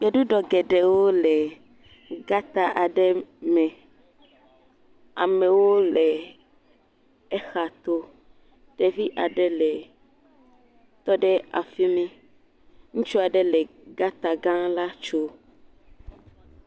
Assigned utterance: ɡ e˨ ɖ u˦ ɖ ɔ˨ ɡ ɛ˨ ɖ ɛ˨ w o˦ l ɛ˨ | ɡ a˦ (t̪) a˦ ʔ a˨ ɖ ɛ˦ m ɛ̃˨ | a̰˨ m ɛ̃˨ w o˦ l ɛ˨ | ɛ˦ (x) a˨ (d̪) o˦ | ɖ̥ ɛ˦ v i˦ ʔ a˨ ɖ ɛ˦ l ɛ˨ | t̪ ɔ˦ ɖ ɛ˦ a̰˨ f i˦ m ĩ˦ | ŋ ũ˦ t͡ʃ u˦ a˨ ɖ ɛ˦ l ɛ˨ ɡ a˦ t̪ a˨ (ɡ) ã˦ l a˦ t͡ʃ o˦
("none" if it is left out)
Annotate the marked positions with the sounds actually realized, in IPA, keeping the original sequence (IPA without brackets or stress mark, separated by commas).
t̪, x, t̪, ɡ